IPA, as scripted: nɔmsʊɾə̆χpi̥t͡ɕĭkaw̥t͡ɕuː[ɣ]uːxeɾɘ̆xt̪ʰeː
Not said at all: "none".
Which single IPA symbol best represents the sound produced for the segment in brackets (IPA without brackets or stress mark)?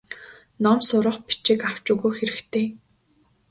ɣ